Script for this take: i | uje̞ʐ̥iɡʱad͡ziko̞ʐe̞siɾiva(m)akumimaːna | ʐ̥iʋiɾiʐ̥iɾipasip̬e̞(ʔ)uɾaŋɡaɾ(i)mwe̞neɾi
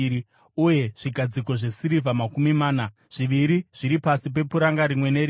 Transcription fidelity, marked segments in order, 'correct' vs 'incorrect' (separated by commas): correct, incorrect, correct